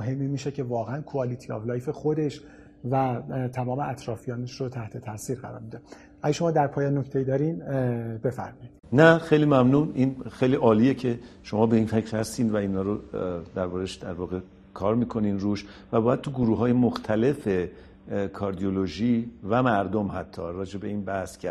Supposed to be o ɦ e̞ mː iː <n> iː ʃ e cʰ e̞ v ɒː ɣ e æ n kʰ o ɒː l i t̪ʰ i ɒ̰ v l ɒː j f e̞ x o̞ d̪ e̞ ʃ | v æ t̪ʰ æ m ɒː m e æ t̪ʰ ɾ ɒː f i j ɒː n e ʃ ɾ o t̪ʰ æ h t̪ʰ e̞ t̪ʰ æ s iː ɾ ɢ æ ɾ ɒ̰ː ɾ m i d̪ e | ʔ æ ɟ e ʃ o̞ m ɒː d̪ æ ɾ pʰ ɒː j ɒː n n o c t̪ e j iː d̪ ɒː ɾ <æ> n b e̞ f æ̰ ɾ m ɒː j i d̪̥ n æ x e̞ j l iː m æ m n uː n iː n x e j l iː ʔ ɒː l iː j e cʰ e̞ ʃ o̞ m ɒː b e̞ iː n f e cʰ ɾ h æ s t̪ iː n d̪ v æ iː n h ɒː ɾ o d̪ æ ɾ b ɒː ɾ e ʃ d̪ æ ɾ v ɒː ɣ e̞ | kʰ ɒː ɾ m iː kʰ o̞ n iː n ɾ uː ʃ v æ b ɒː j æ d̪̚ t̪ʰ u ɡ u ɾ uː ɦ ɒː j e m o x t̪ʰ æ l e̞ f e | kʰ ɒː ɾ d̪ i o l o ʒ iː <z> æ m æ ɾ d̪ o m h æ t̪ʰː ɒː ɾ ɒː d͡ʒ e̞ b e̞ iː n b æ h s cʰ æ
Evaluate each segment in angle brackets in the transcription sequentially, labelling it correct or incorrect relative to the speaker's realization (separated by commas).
incorrect, incorrect, incorrect